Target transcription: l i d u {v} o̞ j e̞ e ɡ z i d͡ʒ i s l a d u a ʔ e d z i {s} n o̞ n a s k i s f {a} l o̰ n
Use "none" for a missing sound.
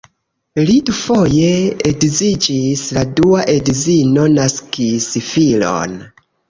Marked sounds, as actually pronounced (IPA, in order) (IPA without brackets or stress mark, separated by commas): f, none, i